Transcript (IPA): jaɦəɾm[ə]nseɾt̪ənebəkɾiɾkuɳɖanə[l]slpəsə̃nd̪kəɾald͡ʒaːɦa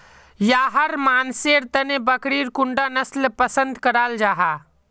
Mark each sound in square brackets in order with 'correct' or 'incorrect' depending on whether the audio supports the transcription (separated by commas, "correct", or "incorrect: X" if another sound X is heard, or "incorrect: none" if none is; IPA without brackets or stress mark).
incorrect: a, incorrect: none